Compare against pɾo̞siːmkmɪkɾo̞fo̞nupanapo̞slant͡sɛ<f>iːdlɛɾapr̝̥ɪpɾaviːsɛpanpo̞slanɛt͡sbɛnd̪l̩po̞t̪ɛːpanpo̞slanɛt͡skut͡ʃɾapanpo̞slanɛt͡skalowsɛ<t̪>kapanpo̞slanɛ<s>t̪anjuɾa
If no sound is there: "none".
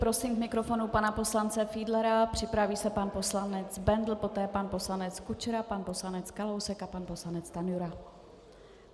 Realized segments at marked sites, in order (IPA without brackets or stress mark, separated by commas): f, none, t͡s